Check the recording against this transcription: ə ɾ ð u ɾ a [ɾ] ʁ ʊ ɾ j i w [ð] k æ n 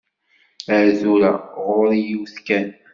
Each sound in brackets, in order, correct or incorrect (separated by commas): incorrect, incorrect